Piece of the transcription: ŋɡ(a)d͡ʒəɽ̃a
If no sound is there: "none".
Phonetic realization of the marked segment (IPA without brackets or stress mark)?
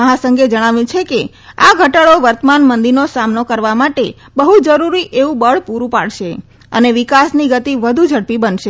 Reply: e